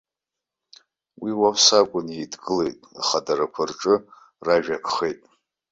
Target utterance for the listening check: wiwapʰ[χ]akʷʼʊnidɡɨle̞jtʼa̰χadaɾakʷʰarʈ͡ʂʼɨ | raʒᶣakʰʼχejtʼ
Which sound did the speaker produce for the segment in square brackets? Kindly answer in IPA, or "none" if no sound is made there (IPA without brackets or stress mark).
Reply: s